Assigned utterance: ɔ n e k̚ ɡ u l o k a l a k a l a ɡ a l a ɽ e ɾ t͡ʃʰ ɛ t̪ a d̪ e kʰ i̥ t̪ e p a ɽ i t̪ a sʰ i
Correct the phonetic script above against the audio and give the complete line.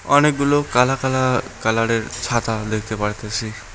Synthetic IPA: ɔ n e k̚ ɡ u l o k a l a k a l a k a l a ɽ e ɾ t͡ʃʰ a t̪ a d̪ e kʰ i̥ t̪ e p a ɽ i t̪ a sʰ i